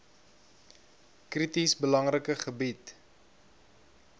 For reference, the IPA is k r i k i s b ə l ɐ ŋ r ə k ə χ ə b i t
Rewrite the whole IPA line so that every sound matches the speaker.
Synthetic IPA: k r i t i s b ə l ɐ ŋ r ə k ə χ ə b i t